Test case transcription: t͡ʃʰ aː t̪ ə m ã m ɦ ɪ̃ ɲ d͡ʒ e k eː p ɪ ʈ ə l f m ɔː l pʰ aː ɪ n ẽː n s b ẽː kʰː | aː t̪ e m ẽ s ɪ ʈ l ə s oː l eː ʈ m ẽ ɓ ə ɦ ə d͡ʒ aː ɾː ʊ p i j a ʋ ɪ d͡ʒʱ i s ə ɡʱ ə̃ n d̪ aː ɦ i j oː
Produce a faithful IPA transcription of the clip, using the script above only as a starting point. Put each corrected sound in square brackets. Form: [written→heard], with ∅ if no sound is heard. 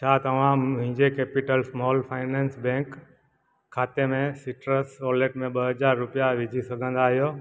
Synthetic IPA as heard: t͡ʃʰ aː t̪ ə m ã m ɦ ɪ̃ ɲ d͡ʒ e k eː p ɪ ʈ ə l [f→s] m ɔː l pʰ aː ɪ n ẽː n s b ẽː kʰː | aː t̪ e m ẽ s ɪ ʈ [l→ɾ] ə s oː l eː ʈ m ẽ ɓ ə ɦ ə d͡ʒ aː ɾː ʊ p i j a ʋ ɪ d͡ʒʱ i s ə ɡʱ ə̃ n d̪ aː ɦ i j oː